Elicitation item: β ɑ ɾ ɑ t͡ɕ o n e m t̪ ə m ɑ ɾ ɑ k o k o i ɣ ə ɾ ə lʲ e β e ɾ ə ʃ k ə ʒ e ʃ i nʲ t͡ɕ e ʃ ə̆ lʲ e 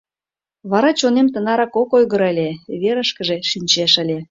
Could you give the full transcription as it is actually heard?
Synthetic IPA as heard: β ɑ ɾ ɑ t͡ɕ o n e m t̪ ə n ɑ ɾ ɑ k o k o j ɣ ə ɾ ə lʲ e β e ɾ ə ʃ k ə ʒ e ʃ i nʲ t͡ɕ e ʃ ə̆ lʲ e